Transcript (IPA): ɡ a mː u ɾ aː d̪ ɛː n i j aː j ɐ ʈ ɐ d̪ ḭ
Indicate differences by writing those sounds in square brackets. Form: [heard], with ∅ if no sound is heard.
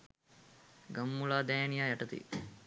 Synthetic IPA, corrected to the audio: ɡ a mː u [l] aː d̪ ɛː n i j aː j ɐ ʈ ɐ [t̪] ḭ